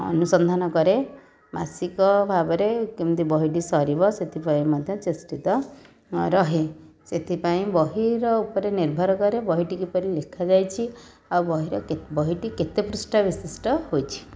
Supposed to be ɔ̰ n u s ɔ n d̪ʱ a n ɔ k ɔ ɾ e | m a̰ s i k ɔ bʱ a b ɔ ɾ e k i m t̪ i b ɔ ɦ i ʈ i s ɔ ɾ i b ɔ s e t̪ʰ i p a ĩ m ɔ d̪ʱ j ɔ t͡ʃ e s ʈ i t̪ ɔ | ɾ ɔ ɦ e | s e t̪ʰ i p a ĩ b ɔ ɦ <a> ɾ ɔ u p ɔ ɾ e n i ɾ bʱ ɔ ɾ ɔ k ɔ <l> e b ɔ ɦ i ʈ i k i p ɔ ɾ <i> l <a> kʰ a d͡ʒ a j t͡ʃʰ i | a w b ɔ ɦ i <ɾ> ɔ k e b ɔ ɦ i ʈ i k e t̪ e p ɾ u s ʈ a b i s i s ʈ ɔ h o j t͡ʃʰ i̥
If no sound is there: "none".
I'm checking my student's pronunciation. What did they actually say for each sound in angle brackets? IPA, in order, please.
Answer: i, ɾ, i, e, ɾ

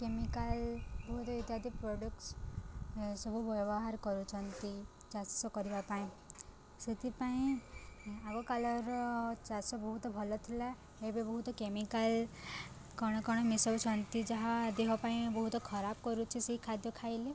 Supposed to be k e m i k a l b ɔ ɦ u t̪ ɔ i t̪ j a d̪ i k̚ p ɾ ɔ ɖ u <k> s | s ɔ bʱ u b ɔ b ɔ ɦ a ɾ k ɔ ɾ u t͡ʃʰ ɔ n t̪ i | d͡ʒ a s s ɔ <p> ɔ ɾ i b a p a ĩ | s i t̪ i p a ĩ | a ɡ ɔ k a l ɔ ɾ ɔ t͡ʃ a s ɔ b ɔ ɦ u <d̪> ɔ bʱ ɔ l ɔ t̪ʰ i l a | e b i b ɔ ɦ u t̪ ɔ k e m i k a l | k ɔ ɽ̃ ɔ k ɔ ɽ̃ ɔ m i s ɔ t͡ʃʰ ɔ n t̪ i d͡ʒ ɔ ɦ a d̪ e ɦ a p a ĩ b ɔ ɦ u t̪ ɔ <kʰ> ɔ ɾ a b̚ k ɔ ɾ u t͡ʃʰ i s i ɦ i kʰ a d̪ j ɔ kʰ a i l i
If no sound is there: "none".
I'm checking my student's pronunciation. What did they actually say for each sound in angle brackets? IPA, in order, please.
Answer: k, k, t̪, kʰ

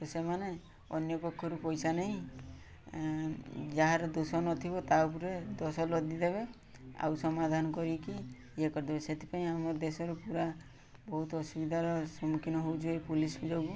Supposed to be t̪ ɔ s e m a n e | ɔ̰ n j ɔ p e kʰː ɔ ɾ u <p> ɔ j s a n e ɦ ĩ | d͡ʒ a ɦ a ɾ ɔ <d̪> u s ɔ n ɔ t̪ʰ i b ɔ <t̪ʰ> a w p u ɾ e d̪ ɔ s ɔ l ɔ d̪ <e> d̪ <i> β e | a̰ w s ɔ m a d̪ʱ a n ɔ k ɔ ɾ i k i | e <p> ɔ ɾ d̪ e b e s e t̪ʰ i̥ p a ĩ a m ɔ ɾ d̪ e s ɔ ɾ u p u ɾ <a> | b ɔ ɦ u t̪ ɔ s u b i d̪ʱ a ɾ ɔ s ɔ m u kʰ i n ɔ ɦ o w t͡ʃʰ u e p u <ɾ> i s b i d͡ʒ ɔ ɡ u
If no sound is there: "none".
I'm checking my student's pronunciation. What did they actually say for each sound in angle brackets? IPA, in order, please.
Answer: p, d̪, t̪, i, e, k, a, l

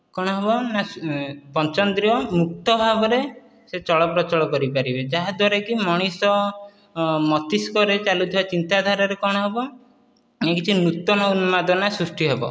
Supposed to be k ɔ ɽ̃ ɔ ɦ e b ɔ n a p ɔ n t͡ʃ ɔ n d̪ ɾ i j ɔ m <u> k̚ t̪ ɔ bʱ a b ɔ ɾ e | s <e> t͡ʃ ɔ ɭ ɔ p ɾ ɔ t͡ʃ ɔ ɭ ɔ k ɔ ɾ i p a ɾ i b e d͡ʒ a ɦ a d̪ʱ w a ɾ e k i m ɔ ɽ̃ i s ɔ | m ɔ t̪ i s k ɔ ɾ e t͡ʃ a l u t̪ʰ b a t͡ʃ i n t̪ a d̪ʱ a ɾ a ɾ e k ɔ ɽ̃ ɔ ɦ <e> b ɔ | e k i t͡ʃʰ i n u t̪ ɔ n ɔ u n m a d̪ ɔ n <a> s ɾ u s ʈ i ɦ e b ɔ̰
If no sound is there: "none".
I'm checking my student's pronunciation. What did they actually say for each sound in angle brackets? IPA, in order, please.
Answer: u, e, e, a

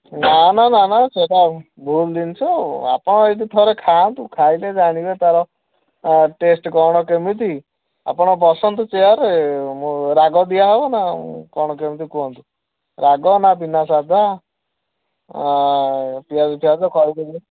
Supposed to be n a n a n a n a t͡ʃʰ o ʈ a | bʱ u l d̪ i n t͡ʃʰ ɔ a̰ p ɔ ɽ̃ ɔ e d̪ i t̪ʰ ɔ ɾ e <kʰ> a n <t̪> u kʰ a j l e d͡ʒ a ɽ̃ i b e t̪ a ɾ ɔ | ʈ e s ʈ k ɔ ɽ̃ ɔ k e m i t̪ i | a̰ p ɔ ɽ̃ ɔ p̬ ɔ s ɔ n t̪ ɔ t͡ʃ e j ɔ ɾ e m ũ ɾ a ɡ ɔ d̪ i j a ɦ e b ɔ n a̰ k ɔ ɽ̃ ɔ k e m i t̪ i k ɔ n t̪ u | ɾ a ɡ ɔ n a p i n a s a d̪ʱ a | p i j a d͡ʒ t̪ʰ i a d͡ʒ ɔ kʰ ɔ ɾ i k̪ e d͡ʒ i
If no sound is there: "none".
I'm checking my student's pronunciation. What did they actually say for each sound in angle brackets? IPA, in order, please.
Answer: kʰ, t̪

